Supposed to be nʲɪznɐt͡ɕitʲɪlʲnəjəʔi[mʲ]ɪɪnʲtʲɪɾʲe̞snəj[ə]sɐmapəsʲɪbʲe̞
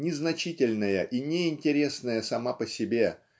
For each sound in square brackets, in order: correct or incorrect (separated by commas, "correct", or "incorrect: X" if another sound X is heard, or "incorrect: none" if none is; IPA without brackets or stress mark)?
incorrect: nʲ, correct